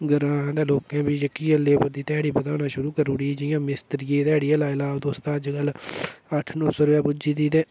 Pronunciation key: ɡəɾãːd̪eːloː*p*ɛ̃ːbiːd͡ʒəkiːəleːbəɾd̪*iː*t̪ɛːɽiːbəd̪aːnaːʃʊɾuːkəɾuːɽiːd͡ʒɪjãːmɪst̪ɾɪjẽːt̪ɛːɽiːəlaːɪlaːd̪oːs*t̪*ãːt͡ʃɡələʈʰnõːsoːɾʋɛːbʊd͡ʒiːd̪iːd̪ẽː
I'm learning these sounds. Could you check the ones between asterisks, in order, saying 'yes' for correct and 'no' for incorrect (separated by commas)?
no, yes, yes